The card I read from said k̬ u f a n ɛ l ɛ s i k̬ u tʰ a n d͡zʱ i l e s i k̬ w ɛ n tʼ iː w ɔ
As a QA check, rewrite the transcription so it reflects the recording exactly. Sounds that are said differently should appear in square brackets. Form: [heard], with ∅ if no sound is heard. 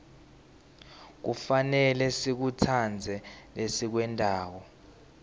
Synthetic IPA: k̬ u f a n ɛ l ɛ s i k̬ u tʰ a n d͡zʱ [ɛ] l e s i k̬ w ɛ n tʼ [aː] w ɔ